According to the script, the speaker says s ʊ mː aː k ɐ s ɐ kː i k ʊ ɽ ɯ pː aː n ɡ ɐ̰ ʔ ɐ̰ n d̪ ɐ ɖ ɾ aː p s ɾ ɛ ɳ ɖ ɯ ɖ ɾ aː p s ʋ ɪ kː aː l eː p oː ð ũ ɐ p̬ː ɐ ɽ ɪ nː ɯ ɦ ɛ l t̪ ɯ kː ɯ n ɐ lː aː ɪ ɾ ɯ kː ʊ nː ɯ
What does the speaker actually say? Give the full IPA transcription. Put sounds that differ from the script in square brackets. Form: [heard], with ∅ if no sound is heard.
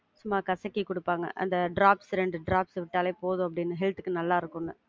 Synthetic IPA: s ʊ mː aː k ɐ s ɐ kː i k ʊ ɽ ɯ pː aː [ŋ] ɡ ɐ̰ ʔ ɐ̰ n d̪ ɐ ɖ ɾ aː p s ɾ ɛ ɳ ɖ ɯ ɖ ɾ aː p s ʋ ɪ [ʈː] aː l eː p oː ð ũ ɐ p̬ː ɐ ɽ ɪ nː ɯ ɦ ɛ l t̪ ɯ kː ɯ n ɐ lː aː ɪ ɾ ɯ kː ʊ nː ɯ